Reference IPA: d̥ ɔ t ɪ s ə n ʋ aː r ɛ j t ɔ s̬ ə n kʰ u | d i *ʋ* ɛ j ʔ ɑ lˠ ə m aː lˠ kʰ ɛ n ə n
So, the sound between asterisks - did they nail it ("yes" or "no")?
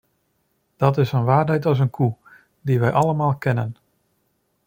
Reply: yes